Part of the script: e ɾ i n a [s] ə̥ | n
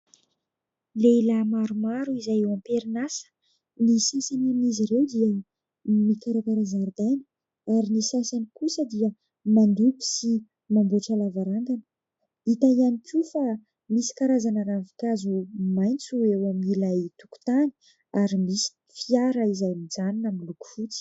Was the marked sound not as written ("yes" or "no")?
no